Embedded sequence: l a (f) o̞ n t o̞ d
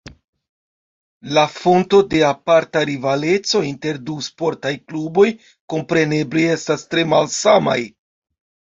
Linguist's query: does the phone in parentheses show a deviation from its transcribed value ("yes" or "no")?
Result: no